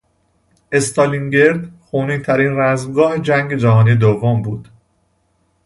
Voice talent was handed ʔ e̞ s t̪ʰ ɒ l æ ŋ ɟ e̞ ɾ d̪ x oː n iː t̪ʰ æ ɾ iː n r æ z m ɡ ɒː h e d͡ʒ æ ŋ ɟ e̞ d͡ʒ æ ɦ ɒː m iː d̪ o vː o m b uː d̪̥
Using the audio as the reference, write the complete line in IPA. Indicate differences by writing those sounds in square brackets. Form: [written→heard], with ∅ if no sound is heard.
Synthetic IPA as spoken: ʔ e̞ s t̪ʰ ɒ l [æ→i] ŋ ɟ e̞ ɾ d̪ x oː n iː t̪ʰ æ ɾ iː n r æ z m ɡ ɒː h e d͡ʒ æ ŋ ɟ e̞ d͡ʒ æ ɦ ɒː [m→n] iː d̪ o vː o m b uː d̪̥